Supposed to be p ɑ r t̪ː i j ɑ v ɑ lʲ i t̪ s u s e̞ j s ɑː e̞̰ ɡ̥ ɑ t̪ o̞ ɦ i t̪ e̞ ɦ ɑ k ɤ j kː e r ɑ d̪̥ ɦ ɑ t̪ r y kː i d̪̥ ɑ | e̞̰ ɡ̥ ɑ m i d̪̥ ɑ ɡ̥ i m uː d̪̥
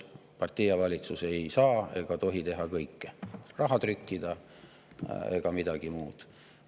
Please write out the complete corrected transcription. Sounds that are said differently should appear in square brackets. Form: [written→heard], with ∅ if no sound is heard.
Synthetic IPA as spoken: p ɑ r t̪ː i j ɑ v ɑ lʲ i t̪ s u s e̞ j s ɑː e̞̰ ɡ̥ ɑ t̪ o̞ ɦ i t̪ e̞ ɦ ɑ k ɤ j kː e r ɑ [d̪̥→∅] ɦ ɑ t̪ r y kː i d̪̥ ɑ | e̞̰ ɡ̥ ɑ m i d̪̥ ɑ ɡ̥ i m uː d̪̥